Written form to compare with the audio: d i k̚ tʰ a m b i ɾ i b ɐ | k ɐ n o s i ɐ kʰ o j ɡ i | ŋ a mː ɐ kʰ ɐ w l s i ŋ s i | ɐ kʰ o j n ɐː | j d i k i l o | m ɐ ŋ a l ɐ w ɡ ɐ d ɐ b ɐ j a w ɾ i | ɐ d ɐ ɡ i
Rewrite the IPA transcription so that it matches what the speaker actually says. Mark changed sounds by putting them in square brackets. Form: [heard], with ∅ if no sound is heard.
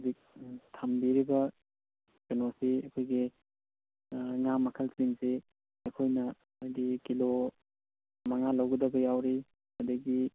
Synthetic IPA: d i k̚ tʰ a m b i ɾ i b ɐ | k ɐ n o s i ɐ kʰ o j ɡ i | ŋ a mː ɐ kʰ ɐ [∅] l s i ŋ s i | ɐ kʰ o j n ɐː | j d i k i l o | m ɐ ŋ a l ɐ w ɡ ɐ d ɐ b ɐ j a w ɾ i | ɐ d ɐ ɡ i